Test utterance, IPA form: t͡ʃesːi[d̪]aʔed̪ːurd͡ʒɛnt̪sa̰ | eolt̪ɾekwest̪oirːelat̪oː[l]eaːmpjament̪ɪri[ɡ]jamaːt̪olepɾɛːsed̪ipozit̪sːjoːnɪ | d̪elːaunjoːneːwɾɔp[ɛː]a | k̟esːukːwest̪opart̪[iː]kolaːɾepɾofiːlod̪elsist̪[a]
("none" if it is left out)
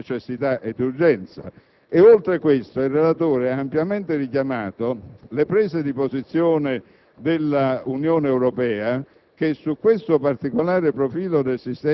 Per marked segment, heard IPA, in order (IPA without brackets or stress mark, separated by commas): t̪, ɾ, k, ɛː, i, ɛ